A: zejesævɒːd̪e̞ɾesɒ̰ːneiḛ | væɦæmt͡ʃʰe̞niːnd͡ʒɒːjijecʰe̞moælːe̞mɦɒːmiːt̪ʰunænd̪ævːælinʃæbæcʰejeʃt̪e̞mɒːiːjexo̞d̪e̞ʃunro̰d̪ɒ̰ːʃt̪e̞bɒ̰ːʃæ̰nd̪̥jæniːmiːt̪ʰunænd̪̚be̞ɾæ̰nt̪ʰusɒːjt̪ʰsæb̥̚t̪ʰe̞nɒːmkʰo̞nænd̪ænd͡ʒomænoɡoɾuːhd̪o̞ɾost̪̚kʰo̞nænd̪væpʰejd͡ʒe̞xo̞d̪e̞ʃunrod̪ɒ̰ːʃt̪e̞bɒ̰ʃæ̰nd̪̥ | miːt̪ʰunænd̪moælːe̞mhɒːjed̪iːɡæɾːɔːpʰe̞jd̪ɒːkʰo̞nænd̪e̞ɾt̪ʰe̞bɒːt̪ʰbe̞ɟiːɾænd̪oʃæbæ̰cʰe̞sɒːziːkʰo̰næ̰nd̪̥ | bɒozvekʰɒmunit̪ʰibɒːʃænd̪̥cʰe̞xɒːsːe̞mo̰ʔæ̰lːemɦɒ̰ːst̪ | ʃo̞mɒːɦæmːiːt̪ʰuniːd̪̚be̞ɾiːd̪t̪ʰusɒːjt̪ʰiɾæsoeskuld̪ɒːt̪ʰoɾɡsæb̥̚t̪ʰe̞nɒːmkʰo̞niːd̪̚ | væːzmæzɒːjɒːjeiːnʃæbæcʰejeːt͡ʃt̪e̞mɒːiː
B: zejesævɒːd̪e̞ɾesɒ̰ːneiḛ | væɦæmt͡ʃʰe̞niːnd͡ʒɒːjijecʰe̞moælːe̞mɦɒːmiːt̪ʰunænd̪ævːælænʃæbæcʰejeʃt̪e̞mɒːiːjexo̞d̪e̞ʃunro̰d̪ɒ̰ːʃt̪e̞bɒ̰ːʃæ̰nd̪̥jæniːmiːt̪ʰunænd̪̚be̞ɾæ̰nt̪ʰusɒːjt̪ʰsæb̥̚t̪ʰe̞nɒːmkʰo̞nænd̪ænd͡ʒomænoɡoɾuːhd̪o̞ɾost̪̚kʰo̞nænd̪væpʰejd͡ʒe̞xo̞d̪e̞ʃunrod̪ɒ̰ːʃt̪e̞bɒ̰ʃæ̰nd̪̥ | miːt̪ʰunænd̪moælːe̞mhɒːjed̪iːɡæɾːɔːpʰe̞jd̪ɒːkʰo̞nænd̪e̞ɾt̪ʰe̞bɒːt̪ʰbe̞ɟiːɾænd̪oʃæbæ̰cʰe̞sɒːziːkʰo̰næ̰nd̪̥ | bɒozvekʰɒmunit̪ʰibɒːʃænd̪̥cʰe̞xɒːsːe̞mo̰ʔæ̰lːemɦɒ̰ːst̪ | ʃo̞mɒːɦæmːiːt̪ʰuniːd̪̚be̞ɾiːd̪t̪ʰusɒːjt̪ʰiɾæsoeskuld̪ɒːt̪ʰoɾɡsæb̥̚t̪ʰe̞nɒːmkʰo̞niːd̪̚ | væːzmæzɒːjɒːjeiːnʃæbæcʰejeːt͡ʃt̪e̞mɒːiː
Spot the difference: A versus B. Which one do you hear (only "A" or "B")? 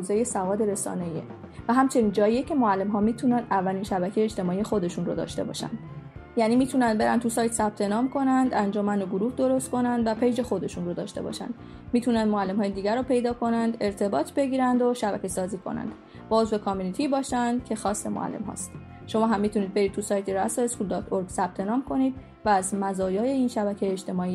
A